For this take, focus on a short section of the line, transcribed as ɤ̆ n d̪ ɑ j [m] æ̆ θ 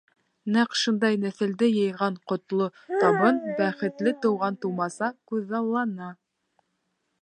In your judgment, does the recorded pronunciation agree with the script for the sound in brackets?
no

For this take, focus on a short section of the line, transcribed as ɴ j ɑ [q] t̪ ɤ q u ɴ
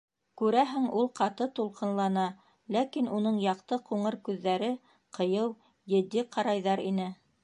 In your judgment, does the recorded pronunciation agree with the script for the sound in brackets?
yes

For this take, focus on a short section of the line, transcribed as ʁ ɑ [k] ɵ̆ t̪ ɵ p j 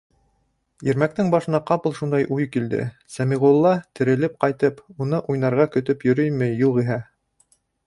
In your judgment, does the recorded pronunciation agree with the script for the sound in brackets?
yes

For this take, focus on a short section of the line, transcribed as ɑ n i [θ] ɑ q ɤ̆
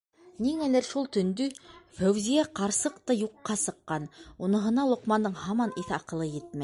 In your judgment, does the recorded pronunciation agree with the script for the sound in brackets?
yes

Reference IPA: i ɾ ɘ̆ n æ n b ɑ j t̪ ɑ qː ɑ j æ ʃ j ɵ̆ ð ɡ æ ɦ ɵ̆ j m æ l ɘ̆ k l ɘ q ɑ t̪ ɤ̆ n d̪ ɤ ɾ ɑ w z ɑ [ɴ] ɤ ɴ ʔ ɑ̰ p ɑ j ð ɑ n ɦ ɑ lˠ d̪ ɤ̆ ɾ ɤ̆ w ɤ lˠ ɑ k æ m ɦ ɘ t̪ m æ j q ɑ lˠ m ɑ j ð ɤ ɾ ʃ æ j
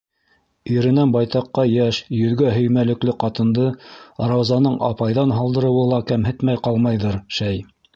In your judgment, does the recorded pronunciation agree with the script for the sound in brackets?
no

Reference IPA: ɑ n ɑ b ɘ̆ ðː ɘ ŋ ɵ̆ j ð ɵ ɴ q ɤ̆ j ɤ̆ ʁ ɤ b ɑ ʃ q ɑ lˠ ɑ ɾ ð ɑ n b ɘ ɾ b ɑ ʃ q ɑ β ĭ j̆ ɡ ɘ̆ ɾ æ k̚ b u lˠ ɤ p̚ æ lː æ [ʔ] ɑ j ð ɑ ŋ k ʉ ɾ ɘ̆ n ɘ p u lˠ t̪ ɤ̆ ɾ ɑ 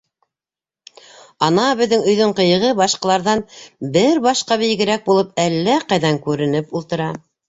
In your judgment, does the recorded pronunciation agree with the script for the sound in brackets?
no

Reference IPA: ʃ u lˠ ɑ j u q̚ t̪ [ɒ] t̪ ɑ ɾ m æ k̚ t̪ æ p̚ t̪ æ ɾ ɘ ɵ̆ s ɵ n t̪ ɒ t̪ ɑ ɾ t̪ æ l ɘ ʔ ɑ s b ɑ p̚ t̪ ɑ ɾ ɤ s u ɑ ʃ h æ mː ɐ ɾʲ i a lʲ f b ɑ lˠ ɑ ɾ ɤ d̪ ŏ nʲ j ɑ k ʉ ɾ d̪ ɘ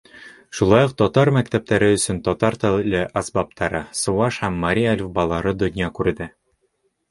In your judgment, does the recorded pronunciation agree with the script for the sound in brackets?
yes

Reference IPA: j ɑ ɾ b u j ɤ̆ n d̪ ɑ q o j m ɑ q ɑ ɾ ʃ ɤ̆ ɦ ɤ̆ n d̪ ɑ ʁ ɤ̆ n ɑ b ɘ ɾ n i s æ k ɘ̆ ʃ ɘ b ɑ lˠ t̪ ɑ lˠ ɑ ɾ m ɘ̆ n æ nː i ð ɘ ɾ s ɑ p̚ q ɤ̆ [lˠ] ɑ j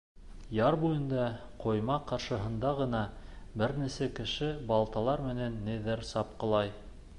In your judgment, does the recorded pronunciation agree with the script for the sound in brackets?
yes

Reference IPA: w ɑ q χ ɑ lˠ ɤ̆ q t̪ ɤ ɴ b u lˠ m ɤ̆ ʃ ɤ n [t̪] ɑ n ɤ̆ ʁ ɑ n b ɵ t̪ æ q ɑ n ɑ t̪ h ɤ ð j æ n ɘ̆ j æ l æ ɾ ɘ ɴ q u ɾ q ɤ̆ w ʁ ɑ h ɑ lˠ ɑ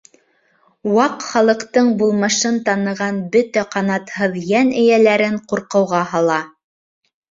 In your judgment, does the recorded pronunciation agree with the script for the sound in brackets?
yes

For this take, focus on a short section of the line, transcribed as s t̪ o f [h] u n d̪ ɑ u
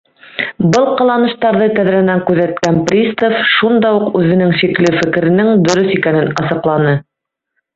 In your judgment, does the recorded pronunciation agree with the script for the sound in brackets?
no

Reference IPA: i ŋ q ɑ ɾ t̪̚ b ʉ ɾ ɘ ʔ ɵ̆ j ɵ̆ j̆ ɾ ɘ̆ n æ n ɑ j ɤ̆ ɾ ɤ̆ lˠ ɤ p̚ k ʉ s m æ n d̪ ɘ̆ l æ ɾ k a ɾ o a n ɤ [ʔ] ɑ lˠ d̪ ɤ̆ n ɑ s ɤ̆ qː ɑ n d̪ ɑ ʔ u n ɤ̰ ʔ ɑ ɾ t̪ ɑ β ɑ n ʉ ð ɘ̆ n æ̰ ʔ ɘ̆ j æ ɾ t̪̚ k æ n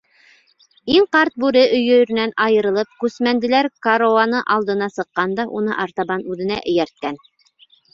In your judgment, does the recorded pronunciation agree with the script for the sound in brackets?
yes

